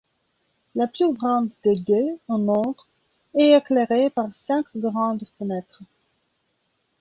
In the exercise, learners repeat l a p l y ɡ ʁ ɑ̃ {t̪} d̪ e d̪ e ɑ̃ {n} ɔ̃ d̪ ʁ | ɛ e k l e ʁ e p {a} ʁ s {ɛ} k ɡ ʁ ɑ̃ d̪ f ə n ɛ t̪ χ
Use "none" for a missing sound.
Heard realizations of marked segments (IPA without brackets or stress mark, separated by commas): d̪, n, a, ɛ̃